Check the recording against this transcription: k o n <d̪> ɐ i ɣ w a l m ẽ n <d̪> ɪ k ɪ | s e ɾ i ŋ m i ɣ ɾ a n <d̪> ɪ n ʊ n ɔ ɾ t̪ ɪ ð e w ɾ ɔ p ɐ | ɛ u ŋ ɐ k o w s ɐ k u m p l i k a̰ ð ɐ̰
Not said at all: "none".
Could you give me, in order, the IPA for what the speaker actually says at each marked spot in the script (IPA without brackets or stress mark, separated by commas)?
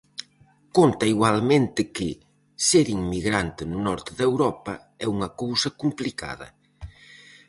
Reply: t̪, t̪, t̪